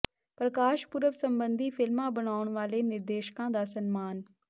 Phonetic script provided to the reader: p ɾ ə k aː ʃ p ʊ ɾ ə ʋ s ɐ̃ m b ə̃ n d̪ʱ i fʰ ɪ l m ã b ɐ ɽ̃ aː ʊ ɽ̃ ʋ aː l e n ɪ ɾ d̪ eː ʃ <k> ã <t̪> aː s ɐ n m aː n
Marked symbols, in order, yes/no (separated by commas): yes, no